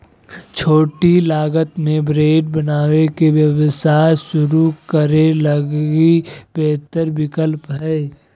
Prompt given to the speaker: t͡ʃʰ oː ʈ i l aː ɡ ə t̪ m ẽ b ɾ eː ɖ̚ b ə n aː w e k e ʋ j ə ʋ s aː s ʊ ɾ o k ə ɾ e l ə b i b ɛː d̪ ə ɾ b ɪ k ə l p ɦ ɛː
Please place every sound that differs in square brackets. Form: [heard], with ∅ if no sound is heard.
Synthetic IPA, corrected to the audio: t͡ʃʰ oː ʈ i l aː ɡ ə t̪ m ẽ b ɾ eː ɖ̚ b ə n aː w e k e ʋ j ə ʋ s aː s ʊ ɾ [u] k ə ɾ e l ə [ɡ] i b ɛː [t̪] ə ɾ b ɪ k ə l p ɦ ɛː